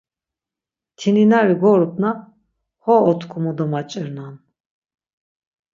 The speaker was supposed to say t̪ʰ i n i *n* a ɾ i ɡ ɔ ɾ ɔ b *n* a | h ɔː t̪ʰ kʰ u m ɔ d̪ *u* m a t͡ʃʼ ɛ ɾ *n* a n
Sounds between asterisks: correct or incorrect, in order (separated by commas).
correct, correct, incorrect, correct